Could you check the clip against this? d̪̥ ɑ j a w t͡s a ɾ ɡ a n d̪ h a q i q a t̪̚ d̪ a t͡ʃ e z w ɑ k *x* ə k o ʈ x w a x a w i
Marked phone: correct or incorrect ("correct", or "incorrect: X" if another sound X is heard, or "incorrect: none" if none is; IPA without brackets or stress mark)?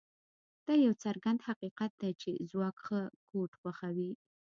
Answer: correct